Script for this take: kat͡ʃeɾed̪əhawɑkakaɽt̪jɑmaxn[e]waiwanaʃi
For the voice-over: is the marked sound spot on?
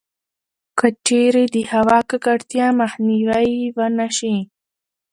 no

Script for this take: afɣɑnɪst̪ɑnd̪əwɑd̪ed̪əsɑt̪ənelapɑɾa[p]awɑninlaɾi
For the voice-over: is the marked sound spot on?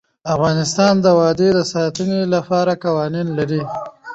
no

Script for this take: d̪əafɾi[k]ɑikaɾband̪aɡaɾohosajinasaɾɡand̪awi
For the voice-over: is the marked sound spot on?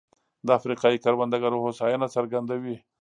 no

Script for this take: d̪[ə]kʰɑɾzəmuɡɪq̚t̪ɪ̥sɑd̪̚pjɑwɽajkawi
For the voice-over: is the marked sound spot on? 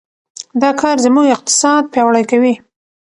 no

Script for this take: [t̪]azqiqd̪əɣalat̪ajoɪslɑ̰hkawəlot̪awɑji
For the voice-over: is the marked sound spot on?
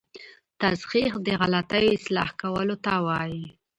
yes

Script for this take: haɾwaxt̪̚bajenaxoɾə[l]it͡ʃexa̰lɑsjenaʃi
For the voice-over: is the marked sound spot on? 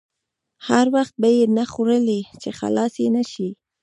yes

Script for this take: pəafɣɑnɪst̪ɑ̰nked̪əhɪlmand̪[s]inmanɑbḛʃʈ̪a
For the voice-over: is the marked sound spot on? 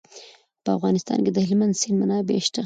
yes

